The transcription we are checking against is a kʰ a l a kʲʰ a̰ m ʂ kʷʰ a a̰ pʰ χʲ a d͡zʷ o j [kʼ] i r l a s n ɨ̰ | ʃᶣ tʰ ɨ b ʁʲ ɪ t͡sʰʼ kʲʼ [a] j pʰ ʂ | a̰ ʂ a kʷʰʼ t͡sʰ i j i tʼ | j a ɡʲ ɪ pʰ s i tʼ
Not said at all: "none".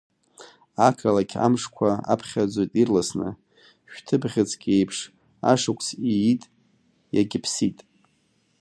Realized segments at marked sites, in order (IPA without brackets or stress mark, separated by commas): tʼ, e